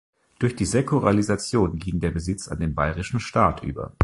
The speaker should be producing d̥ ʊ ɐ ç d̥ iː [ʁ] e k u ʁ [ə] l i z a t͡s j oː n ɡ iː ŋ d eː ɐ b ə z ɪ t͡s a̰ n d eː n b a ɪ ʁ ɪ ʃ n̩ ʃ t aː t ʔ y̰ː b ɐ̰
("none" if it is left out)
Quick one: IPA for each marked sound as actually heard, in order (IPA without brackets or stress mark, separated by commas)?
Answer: z, a